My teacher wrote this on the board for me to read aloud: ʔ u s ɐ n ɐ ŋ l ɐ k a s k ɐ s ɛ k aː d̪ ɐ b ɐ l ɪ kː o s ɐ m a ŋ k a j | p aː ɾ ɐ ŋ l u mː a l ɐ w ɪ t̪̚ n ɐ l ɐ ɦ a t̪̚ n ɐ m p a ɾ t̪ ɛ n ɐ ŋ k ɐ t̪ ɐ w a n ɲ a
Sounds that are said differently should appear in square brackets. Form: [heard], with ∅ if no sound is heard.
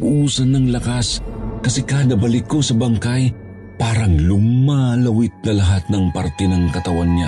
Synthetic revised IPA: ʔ u s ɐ n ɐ ŋ l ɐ k a s k ɐ s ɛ k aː d̪ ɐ b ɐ l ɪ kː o s ɐ [b] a ŋ k a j | p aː ɾ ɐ ŋ l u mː a l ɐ w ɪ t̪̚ n ɐ l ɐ ɦ a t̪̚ n ɐ [ŋ] p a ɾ t̪ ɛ n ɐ ŋ k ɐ t̪ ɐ w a n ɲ a